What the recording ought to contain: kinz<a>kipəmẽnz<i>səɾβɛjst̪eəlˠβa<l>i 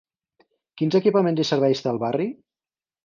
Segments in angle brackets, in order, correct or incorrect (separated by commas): incorrect, correct, incorrect